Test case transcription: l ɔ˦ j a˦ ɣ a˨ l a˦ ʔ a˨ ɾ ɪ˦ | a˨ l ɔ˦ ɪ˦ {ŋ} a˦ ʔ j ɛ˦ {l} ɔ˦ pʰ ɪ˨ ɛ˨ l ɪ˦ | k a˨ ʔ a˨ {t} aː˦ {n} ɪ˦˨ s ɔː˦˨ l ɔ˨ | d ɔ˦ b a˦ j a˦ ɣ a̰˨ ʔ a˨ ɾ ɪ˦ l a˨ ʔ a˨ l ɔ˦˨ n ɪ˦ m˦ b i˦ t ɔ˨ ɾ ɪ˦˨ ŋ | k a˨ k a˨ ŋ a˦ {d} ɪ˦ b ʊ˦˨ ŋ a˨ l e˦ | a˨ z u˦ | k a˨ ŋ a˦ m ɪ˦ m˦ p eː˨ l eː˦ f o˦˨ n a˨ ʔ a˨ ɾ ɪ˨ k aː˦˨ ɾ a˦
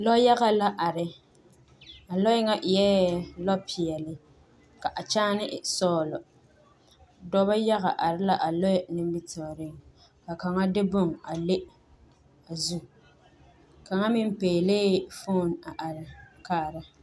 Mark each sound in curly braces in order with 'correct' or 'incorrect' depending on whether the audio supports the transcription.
correct, correct, incorrect, correct, correct

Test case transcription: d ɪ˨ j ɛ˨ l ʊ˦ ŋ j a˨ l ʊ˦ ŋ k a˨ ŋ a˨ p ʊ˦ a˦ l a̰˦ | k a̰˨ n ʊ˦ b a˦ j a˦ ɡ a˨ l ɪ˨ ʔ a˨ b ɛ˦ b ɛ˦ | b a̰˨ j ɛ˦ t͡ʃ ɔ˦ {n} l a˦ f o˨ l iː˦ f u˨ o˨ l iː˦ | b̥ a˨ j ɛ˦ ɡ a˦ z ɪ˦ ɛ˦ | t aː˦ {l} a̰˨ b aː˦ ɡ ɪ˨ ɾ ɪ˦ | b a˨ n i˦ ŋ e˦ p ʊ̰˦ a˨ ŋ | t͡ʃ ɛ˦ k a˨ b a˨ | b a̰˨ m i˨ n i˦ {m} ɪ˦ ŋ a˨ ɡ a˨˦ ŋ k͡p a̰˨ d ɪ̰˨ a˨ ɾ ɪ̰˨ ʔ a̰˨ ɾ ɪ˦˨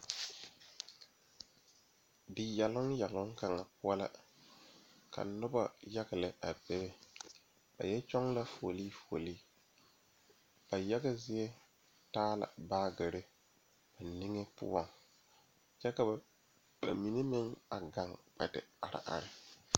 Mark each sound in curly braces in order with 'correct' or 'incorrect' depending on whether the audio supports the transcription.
incorrect, correct, correct

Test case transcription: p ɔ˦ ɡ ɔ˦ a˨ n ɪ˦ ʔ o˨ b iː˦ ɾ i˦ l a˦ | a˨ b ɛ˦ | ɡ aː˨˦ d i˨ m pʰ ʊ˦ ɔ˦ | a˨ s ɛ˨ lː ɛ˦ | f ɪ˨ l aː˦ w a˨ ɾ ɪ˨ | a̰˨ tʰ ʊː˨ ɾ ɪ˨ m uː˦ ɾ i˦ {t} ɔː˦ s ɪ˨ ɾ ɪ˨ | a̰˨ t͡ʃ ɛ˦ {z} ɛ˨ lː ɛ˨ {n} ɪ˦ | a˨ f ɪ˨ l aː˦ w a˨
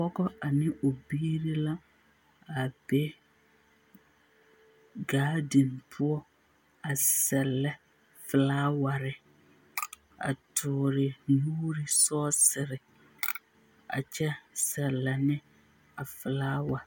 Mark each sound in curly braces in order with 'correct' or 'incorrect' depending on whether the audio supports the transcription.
incorrect, incorrect, correct

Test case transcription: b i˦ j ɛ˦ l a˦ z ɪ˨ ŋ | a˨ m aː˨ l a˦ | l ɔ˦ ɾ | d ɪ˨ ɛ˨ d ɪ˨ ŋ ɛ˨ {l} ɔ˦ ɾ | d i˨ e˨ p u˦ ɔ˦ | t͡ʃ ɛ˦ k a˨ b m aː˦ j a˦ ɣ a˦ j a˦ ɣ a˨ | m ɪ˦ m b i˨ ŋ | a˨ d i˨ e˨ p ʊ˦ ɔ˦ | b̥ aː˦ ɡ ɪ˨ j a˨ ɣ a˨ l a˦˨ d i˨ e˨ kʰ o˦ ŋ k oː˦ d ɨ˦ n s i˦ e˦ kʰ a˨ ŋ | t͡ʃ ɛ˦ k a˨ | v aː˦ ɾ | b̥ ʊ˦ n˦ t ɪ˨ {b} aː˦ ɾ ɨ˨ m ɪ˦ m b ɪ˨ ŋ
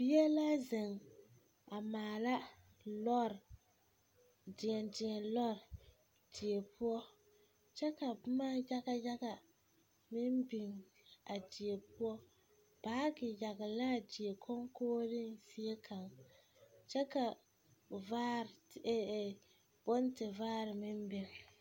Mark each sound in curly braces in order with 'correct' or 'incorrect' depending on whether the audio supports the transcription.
correct, incorrect

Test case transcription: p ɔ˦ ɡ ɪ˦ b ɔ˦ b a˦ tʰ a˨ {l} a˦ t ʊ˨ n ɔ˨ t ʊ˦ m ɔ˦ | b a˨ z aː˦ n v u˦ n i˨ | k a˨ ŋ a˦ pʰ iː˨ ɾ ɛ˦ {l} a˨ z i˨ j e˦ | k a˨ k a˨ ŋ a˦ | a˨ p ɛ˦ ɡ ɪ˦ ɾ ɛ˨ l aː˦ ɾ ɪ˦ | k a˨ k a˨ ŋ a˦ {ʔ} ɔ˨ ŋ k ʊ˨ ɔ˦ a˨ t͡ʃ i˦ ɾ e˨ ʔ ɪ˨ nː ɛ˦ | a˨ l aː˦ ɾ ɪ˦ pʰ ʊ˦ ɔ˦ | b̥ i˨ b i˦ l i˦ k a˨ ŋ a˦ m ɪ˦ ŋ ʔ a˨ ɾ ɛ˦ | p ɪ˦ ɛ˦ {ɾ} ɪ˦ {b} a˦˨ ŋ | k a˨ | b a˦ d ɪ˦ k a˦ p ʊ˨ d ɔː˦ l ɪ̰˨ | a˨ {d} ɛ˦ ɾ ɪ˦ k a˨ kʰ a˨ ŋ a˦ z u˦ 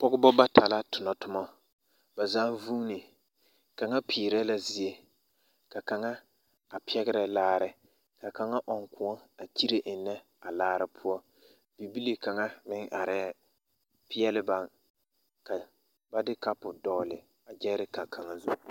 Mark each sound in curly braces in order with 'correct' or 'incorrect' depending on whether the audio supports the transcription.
correct, correct, correct, incorrect, correct, incorrect

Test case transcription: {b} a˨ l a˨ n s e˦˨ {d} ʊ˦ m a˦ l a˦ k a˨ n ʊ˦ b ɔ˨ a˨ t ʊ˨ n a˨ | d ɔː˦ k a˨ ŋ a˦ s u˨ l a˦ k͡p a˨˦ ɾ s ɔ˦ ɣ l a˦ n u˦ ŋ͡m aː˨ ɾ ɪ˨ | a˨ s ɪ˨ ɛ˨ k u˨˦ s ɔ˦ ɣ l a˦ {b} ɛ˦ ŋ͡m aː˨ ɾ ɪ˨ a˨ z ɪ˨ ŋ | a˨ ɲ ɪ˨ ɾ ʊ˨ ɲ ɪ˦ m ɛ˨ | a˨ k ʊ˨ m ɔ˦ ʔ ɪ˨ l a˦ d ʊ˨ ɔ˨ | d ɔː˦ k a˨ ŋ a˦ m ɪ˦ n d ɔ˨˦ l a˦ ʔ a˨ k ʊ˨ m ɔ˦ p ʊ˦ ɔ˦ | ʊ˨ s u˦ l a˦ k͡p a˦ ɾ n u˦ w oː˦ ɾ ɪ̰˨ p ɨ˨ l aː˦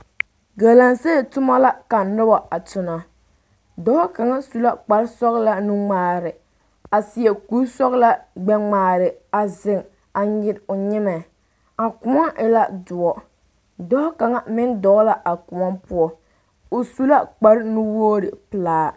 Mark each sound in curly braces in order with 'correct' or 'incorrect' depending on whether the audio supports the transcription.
incorrect, incorrect, incorrect

